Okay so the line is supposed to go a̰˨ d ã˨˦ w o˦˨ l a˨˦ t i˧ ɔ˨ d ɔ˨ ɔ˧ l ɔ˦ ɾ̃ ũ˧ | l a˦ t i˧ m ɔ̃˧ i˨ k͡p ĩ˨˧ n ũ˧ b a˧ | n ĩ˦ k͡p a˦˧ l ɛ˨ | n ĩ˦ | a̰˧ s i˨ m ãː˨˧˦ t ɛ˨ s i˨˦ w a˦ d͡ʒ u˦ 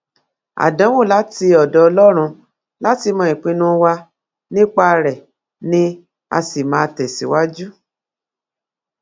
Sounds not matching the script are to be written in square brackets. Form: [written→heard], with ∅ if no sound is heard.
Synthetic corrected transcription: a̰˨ d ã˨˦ w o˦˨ l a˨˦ t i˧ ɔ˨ d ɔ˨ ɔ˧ l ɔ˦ ɾ̃ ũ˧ | l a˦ t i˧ m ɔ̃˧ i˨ k͡p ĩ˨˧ n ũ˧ [b→w] a˧ | n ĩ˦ k͡p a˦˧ [l→ɾ] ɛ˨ | n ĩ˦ | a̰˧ s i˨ m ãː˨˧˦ t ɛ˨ s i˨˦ w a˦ d͡ʒ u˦